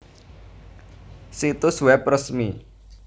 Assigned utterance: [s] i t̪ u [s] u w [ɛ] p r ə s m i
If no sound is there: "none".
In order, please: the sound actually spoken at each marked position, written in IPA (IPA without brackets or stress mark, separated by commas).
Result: s, s, ɛ